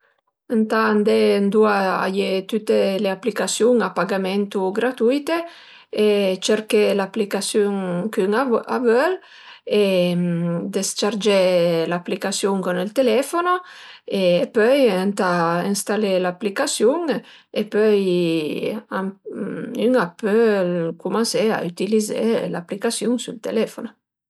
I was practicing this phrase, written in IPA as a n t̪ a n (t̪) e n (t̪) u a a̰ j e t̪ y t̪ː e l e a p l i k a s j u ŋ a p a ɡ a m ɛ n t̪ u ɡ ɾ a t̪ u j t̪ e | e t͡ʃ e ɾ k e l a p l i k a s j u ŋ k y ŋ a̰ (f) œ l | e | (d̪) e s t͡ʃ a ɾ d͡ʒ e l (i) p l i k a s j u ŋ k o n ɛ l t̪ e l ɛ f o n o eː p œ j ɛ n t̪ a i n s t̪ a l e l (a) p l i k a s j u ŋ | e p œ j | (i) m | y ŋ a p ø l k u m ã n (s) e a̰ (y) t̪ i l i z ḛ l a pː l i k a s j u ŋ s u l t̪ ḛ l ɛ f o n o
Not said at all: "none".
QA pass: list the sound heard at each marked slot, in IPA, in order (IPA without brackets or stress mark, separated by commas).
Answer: d̪, d̪, v, d̪, a, a, a, s, y